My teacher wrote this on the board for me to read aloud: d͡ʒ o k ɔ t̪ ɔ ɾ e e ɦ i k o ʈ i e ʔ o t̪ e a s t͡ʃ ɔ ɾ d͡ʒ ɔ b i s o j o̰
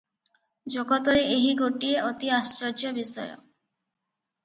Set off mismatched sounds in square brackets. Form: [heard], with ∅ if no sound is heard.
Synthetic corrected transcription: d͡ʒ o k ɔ t̪ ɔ ɾ e e ɦ i [ɡ] o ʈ i e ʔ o t̪ [i] a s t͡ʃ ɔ ɾ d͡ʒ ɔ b i s [ɔ] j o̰